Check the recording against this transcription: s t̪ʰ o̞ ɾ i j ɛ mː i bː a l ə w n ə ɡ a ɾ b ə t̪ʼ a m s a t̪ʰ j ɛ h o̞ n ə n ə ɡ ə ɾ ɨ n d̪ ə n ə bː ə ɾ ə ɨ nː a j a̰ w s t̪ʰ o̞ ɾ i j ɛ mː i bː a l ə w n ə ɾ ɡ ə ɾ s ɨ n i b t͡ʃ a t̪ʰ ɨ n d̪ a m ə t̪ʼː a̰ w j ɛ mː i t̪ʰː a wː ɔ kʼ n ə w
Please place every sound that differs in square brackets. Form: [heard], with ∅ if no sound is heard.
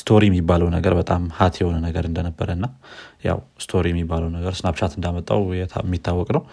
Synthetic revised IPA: s t̪ʰ o̞ ɾ i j ɛ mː i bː a l ə w n ə ɡ [ə] ɾ b ə t̪ʼ a m [h] a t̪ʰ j ɛ h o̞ n ə n ə ɡ ə ɾ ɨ n d̪ ə n ə bː ə ɾ ə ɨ nː a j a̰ w s t̪ʰ o̞ ɾ i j ɛ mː i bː a l ə w n ə [∅] ɡ ə ɾ s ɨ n [a] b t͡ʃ a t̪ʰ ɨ n d̪ a m ə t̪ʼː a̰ w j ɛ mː i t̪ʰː a wː ɔ kʼ n ə w